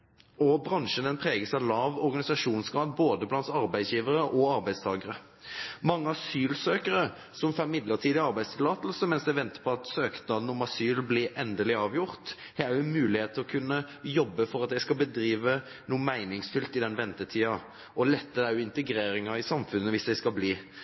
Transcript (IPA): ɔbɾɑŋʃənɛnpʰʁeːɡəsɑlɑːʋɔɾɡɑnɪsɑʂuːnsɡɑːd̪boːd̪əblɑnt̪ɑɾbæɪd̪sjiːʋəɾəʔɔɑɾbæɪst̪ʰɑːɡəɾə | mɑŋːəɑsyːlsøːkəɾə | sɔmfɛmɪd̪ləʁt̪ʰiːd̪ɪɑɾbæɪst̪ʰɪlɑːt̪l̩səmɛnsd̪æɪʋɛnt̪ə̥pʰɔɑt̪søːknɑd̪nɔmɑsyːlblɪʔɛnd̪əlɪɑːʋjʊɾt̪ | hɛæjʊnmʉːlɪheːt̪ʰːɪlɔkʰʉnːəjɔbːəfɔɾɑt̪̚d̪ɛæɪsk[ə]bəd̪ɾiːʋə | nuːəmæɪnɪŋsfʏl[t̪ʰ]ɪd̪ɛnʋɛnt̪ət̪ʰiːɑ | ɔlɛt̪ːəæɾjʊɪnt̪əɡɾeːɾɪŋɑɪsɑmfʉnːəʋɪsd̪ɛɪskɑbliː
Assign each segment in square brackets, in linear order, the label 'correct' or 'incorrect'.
incorrect: ɑ, incorrect: t̪

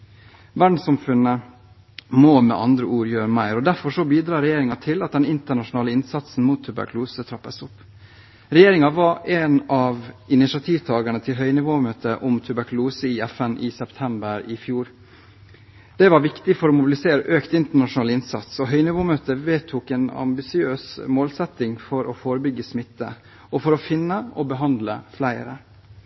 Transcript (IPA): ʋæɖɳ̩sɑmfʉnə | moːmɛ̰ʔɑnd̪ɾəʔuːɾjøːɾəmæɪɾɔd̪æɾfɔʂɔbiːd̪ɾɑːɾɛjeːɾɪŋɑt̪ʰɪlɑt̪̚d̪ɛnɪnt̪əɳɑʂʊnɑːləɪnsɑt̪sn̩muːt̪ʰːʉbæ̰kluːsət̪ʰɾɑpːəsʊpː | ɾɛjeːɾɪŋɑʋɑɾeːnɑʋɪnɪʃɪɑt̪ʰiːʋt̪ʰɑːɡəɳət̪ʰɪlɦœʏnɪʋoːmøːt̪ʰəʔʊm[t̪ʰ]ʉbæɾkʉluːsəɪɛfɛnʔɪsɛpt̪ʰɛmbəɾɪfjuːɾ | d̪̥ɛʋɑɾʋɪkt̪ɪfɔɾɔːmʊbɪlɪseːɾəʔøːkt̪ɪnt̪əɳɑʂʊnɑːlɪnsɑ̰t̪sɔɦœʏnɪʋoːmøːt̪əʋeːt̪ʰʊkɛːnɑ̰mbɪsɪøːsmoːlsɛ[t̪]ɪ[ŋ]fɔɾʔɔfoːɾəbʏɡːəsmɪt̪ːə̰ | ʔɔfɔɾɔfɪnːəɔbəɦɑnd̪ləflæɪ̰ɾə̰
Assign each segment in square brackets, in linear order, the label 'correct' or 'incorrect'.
correct, correct, correct

